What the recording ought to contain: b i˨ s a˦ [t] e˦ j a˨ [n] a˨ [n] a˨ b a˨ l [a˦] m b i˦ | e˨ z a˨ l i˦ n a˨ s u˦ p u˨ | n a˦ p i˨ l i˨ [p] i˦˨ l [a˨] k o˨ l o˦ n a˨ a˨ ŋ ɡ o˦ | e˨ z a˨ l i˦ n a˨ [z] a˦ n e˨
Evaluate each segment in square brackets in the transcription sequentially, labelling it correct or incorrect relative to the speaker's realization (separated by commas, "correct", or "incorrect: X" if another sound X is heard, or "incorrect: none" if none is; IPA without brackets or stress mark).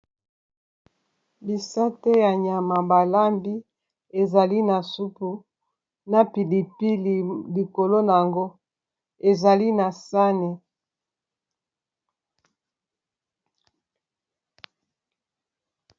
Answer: correct, incorrect: ɲ, incorrect: m, correct, correct, incorrect: i˨, incorrect: s